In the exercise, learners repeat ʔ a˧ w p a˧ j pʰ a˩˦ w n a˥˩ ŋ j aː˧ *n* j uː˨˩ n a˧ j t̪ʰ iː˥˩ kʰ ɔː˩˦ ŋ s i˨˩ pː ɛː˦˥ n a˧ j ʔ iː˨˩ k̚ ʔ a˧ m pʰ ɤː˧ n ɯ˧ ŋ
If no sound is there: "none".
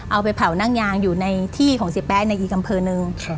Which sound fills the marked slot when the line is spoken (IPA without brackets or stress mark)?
ŋ